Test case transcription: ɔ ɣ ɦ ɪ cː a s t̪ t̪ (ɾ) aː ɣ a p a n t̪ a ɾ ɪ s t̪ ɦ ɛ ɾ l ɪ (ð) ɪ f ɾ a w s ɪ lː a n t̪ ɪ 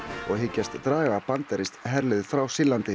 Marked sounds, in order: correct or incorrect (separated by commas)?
correct, correct